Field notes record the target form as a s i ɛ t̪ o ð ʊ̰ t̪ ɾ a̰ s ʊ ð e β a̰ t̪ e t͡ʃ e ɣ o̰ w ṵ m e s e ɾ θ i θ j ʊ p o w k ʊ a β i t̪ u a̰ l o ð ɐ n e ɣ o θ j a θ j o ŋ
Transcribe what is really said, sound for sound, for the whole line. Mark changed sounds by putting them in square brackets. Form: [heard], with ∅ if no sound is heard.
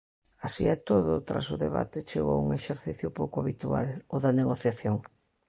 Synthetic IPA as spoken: a s i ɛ t̪ o ð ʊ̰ t̪ ɾ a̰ s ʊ ð e β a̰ t̪ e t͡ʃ e ɣ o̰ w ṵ [ŋ] e [ʃ] e ɾ θ i θ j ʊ p o w k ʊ a β i t̪ u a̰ l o ð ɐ n e ɣ o θ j a θ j o ŋ